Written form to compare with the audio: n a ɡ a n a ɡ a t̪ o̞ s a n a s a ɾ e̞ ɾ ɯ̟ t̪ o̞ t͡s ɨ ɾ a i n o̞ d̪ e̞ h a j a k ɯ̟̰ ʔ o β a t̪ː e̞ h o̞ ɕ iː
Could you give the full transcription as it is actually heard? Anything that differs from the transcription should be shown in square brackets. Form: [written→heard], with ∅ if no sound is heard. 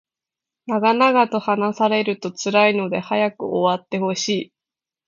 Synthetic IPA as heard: n a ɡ a n a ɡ a t̪ o̞ [s→h] a n a s a ɾ e̞ ɾ ɯ̟ t̪ o̞ t͡s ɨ ɾ a i n o̞ d̪ e̞ h a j a k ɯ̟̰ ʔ o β a t̪ː e̞ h o̞ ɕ iː